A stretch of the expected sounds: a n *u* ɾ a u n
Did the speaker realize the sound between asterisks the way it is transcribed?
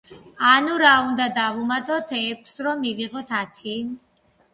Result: yes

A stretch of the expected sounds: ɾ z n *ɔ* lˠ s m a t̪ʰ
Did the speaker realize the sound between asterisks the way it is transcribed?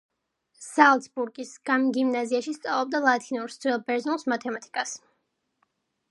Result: no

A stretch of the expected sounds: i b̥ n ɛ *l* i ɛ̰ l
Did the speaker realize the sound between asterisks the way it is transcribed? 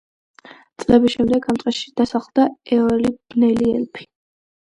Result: yes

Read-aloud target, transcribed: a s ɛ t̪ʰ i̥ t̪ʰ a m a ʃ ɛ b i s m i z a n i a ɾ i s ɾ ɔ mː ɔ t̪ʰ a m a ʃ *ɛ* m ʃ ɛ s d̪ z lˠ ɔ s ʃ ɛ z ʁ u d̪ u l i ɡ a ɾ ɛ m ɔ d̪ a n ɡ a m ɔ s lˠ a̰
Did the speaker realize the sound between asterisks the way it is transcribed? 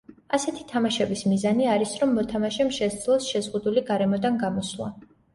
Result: yes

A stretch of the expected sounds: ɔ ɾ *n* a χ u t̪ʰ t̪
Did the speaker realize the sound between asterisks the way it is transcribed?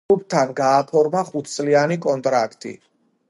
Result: no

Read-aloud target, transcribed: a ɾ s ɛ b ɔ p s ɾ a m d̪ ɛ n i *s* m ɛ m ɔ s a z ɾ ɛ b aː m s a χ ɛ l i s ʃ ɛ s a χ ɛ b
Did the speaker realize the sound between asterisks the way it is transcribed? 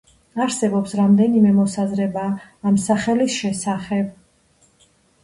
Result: no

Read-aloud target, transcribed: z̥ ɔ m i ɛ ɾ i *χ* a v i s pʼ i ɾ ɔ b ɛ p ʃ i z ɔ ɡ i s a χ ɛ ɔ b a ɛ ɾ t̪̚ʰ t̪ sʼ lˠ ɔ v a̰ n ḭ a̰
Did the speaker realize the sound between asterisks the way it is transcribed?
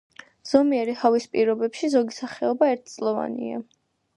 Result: no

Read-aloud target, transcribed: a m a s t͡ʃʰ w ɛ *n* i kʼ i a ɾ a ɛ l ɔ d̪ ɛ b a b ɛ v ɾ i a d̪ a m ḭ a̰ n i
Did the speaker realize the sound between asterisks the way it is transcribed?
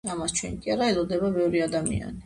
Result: yes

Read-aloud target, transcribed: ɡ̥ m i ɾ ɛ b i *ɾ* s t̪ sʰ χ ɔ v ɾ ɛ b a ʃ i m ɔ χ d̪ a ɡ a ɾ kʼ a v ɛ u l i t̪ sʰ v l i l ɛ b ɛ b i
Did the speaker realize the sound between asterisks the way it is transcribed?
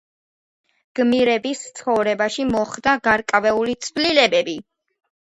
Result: no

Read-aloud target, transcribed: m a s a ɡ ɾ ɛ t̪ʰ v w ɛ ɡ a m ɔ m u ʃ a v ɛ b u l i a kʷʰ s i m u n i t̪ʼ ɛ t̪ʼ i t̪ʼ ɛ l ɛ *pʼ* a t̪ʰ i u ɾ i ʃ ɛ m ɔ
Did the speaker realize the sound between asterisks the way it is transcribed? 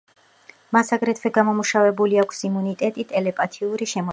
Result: yes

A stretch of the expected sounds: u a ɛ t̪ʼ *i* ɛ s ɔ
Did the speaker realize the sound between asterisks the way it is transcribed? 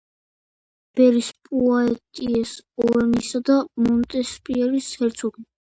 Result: yes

